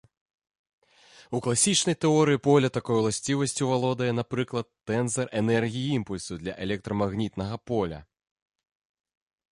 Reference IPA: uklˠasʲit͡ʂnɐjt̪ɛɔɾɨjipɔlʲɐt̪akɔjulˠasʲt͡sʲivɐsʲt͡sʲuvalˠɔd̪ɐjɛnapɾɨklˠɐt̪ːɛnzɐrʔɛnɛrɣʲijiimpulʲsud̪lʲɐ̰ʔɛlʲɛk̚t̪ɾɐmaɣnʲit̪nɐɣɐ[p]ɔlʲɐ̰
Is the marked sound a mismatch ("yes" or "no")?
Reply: no